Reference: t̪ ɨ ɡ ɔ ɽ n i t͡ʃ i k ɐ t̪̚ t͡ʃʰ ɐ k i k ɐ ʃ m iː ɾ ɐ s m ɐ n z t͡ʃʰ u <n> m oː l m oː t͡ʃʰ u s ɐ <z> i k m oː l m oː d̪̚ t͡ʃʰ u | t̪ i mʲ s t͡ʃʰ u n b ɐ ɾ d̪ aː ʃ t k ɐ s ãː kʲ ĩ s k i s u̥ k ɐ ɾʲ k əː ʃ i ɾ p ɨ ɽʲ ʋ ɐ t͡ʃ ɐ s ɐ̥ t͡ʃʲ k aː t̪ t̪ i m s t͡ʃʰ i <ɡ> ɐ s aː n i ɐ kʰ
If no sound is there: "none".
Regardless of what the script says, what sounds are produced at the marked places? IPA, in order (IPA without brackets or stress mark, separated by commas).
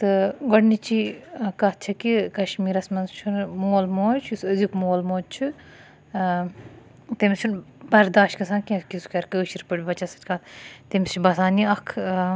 n, z, b